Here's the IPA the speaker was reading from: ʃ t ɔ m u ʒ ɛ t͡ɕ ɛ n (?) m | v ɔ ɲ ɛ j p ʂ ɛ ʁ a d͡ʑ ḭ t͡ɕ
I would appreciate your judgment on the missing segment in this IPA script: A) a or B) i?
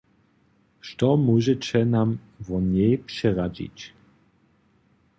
A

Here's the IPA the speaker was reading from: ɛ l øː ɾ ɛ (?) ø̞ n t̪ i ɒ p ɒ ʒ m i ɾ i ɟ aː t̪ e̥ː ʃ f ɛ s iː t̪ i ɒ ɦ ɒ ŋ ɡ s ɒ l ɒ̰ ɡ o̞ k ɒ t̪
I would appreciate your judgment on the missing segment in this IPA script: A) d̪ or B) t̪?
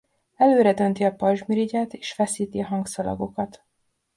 A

